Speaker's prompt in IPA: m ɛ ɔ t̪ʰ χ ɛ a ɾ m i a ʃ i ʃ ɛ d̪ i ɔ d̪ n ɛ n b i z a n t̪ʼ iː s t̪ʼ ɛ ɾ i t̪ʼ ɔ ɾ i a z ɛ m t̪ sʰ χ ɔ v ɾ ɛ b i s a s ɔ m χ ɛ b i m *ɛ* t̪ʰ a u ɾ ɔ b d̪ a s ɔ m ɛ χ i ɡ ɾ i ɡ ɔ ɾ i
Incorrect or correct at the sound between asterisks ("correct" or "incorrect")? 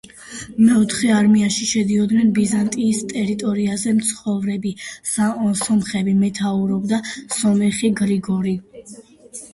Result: correct